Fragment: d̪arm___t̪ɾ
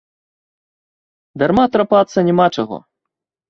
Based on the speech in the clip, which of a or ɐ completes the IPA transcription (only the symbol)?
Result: a